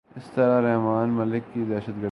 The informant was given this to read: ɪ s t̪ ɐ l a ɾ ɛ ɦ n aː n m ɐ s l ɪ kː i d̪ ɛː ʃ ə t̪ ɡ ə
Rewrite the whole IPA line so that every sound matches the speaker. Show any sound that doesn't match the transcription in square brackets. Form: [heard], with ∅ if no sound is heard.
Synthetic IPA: ɪ s t̪ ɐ [ɾ] a ɾ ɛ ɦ [m] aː n m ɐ [∅] l ɪ kː i d̪ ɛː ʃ ə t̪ ɡ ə